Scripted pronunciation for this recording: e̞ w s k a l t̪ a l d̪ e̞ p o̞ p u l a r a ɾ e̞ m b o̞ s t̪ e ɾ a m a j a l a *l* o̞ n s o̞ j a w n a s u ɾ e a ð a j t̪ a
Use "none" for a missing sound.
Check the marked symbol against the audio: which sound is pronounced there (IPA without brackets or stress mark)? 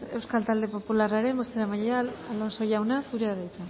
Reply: l